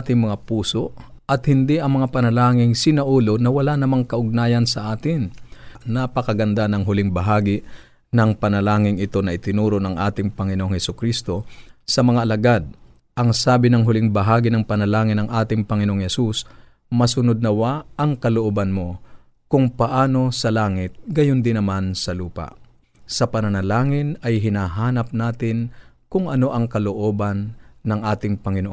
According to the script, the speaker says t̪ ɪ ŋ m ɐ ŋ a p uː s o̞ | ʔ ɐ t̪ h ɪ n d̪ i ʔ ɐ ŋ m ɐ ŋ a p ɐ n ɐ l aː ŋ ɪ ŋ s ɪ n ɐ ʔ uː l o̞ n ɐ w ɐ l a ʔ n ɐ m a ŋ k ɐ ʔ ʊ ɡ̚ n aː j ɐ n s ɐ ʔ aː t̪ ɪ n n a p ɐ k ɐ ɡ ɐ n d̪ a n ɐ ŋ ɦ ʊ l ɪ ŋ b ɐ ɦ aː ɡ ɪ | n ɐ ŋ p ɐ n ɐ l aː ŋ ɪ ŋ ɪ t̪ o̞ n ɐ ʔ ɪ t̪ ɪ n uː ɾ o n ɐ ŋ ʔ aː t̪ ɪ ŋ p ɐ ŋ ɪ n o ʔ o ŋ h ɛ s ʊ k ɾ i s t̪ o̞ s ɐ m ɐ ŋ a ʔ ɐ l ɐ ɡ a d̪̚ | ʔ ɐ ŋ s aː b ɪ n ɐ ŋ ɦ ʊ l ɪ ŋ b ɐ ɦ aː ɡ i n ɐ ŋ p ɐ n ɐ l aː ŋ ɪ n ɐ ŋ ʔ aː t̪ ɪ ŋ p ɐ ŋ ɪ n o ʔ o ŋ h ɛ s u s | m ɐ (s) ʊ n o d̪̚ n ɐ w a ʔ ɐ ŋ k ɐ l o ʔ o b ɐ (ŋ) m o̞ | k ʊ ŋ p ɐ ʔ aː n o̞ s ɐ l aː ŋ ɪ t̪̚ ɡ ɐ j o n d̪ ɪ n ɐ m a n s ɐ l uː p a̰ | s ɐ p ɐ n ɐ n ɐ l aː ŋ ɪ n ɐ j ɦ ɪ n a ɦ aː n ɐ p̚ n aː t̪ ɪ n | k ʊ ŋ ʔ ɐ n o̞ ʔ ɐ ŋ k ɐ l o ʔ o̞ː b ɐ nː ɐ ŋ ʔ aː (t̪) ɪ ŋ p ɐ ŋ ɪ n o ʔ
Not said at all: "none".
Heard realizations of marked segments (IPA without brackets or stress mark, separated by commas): s, n, t̪